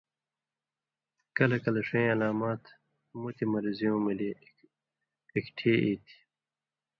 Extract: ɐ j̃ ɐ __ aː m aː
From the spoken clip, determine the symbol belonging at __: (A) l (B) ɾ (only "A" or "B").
A